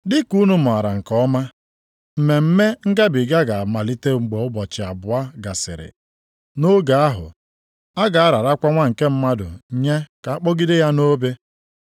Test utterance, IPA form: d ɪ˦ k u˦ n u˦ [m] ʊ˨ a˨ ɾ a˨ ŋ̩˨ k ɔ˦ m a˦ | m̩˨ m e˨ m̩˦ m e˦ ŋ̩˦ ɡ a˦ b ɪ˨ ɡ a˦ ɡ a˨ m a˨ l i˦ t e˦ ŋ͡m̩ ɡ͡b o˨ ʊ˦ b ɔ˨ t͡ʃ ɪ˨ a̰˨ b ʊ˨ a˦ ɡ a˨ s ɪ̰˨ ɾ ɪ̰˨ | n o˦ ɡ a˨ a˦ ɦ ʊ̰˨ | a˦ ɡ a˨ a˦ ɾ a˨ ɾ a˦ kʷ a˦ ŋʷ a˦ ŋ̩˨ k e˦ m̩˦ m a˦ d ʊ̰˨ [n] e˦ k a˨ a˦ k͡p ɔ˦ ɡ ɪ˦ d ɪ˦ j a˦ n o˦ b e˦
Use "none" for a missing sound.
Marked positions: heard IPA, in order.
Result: m, ɲ

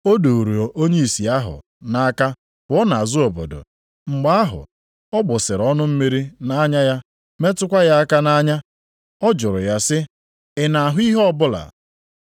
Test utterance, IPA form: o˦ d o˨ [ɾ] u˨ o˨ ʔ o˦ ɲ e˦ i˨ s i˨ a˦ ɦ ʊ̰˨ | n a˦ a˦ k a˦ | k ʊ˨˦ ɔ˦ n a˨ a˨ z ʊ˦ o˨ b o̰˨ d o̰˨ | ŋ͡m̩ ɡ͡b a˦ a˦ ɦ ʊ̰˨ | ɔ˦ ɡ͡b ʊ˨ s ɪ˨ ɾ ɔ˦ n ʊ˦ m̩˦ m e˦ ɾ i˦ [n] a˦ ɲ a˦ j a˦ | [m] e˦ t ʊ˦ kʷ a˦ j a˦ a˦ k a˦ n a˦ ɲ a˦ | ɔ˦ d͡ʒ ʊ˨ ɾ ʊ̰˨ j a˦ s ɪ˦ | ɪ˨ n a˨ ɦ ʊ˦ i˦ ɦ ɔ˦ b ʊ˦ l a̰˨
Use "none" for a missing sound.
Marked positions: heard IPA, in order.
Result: ɾ, n, m

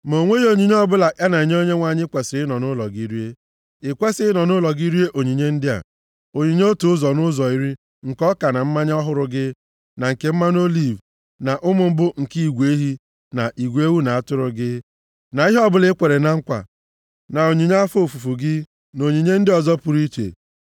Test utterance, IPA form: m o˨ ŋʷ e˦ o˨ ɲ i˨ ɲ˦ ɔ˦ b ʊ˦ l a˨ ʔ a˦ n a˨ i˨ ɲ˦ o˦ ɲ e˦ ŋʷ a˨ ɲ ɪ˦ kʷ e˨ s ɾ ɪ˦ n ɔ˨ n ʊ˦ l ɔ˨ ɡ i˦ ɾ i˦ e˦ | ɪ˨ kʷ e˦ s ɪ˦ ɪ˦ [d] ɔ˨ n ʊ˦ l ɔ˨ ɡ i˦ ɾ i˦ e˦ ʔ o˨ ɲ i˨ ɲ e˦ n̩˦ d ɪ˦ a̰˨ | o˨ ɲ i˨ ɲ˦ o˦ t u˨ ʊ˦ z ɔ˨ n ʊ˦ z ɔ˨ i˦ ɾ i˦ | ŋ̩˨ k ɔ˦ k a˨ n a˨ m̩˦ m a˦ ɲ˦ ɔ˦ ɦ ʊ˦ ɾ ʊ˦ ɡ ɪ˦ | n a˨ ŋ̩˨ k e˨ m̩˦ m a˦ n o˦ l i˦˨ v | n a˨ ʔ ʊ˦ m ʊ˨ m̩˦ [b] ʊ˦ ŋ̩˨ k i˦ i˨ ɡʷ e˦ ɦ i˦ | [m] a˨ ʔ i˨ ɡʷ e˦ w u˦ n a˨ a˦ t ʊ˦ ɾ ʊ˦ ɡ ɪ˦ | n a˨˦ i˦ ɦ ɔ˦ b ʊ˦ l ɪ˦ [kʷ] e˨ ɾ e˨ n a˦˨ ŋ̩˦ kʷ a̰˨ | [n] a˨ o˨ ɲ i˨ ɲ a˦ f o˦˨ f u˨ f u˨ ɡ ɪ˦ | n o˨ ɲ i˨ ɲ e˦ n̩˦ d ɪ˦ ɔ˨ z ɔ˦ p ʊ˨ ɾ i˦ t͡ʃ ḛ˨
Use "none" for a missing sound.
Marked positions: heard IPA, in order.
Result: n, b, n, kʷ, n

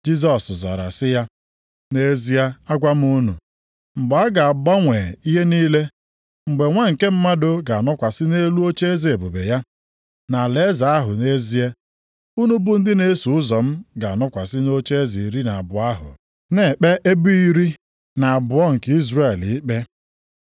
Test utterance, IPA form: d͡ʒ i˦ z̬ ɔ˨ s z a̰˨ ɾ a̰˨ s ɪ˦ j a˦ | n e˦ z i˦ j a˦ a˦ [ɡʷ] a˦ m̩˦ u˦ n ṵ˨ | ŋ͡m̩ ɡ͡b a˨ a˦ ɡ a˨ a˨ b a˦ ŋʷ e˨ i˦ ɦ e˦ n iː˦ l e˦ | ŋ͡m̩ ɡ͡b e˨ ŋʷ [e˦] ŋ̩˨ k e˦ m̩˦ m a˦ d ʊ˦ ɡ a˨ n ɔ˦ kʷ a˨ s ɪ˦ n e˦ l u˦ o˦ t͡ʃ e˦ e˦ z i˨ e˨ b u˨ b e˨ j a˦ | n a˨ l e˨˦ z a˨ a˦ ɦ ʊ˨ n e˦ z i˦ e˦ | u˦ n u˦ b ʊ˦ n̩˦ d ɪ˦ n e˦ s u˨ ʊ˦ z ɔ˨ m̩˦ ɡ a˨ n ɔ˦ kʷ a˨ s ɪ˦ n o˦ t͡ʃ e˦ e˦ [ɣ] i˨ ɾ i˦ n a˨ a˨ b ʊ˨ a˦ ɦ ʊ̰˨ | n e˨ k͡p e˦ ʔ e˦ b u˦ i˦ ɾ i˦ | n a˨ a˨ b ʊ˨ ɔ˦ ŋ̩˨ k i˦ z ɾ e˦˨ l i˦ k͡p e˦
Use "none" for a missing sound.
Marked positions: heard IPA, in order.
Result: ɡʷ, a˦, z

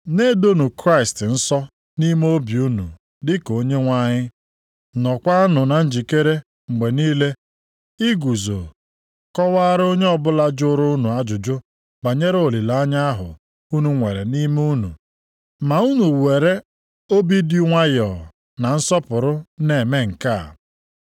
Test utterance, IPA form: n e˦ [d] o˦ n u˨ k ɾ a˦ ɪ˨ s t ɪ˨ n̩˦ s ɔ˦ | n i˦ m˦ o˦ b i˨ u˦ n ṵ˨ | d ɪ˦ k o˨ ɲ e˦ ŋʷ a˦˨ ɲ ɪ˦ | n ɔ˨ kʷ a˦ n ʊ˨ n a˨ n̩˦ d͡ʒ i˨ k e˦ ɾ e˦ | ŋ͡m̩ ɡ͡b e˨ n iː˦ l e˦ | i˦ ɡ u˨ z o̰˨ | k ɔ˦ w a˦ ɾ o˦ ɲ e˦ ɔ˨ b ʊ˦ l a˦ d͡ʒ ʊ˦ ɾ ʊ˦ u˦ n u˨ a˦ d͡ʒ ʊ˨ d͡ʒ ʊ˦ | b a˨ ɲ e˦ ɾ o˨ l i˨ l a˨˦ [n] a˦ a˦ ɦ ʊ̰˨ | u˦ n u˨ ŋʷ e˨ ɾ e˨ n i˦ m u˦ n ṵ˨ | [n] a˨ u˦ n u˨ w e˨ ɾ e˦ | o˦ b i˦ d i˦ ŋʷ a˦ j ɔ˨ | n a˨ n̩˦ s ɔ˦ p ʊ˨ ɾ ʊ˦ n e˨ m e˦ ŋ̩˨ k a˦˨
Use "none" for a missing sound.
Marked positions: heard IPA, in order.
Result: d, ɲ, m

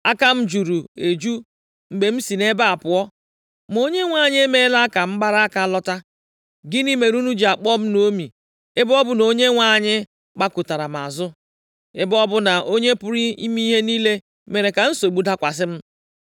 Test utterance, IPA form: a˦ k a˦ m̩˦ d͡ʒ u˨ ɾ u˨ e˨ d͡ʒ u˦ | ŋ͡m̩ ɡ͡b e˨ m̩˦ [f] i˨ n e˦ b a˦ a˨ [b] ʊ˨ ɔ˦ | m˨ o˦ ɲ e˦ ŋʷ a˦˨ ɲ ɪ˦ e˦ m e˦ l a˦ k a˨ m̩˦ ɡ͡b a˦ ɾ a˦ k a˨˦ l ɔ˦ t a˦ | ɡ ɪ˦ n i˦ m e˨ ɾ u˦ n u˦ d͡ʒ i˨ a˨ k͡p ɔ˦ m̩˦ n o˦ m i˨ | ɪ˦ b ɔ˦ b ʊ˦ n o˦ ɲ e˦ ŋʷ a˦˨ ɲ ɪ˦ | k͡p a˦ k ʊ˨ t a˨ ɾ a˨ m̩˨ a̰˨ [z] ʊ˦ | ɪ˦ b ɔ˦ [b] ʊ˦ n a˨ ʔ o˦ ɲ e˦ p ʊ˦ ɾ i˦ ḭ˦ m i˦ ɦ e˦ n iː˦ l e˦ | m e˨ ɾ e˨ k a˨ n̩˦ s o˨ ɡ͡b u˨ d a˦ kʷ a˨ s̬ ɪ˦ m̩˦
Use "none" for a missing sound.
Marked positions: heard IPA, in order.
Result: s, p, z, b

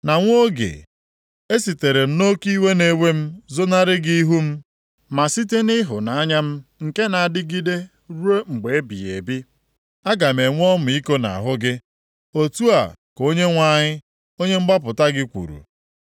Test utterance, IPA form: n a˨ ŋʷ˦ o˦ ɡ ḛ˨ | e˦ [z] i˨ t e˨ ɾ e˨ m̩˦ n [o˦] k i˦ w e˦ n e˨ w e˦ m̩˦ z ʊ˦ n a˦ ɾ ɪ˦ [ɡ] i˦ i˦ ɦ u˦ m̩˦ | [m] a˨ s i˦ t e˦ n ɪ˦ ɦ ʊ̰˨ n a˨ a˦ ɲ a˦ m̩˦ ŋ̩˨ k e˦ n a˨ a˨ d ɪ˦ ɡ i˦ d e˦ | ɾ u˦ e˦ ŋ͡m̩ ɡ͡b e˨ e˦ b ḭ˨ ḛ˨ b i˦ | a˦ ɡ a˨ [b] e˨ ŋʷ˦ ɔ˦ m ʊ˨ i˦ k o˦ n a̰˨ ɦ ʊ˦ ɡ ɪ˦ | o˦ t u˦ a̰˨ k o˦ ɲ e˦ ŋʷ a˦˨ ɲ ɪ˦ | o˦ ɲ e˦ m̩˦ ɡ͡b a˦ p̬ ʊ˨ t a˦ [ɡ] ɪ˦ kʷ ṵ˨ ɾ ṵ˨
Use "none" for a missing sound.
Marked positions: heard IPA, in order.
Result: s, o˦, ɡ, m, m, ɡ

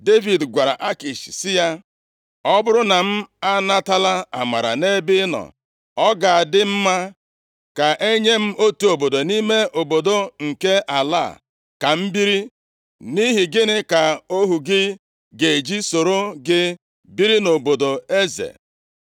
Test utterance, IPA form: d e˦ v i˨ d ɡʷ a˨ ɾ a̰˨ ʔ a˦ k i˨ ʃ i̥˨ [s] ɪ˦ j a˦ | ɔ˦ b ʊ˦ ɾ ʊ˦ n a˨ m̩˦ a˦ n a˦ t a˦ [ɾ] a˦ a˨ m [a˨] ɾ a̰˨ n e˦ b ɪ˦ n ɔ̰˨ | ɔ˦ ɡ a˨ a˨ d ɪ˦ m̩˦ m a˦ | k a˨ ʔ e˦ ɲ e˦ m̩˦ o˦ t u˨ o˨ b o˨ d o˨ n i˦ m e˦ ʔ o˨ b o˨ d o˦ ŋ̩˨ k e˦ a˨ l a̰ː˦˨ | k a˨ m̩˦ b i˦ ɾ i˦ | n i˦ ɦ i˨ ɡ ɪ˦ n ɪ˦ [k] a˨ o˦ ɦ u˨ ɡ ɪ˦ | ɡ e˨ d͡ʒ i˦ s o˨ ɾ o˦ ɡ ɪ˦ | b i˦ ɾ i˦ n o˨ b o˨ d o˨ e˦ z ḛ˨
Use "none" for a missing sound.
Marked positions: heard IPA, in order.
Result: s, l, a˨, k

